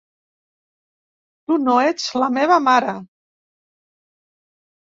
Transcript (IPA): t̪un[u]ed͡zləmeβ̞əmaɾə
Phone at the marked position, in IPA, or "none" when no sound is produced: o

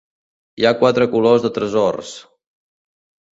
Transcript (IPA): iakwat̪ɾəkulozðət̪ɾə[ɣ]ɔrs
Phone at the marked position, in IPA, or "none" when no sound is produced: z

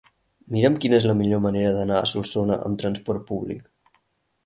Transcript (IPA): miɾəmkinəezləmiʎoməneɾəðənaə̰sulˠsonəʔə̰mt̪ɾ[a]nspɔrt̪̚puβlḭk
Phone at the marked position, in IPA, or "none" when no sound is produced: ə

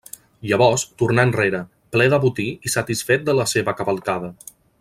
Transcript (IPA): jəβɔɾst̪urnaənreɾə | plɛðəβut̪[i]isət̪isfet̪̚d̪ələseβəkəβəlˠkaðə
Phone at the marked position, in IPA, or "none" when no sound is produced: i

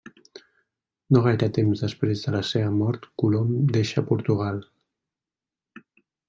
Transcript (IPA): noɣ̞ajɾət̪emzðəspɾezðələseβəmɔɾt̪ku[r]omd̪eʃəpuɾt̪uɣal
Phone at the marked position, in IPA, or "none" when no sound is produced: l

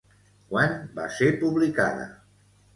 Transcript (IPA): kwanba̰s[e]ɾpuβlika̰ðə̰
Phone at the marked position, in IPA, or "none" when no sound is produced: e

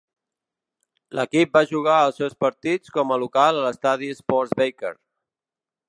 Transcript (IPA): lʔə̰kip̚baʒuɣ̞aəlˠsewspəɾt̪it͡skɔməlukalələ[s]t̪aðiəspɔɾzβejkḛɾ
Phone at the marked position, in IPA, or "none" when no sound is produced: s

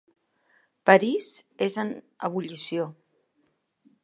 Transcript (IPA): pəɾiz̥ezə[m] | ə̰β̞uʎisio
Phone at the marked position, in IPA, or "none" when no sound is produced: n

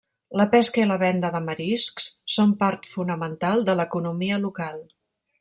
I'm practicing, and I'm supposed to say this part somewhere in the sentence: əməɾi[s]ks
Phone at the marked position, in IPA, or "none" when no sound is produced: s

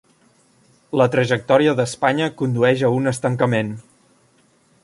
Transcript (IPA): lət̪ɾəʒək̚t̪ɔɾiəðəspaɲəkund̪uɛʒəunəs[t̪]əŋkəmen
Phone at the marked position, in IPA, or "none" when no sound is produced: t̪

